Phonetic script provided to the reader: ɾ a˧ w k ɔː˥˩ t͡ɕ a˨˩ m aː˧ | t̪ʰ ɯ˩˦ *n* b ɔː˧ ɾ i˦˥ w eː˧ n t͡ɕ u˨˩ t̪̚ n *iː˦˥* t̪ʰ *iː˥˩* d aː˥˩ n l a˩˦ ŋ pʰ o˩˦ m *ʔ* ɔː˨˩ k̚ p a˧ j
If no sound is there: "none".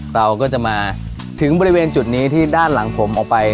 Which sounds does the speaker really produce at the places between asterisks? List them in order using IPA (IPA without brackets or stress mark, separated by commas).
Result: ŋ, iː˦˥, iː˥˩, ʔ